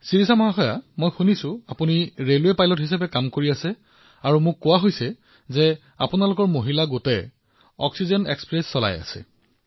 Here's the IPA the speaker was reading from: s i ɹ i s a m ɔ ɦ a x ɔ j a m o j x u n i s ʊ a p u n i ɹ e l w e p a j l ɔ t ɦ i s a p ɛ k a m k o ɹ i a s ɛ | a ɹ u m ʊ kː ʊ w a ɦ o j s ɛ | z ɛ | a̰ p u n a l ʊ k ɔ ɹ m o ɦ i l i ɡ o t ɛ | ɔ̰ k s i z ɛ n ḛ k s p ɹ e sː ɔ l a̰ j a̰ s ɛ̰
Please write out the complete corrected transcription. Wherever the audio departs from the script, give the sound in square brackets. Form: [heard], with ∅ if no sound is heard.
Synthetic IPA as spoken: s i ɹ i s a m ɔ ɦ a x ɔ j a m o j x u n i s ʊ a p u n i ɹ e l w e p a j l ɔ t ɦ i s a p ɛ k a m k o ɹ i a s ɛ | a ɹ u m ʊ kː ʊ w a ɦ o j s ɛ | z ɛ | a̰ p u n a l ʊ k ɔ ɹ m o ɦ i l [a] ɡ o t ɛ | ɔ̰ k s i z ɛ n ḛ k s p ɹ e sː ɔ l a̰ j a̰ s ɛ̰